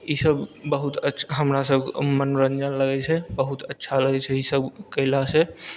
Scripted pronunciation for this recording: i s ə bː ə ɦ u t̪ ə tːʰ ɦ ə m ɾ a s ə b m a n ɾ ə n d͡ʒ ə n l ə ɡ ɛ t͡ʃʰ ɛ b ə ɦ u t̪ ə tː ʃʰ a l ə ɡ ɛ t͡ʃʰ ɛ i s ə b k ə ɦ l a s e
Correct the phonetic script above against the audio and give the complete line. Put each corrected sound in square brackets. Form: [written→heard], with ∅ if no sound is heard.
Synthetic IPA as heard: i s ə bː ə ɦ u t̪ ə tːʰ ɦ ə m ɾ a s ə b m [a→ə] n ɾ ə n d͡ʒ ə n l ə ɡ ɛ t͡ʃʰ ɛ b ə ɦ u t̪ ə tː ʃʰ a l ə ɡ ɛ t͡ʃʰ ɛ i s ə b k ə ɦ l a s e